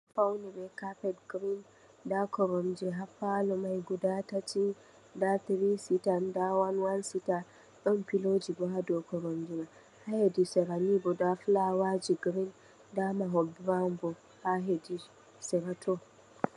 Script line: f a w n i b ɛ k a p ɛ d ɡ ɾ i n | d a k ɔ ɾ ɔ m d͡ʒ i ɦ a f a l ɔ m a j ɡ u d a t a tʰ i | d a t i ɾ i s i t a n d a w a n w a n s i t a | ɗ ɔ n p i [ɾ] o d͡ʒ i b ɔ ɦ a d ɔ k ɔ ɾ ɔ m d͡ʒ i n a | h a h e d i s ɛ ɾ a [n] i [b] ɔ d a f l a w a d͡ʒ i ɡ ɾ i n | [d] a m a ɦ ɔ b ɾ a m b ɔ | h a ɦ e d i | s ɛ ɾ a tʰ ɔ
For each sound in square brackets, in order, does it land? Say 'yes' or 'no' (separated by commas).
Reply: no, yes, yes, yes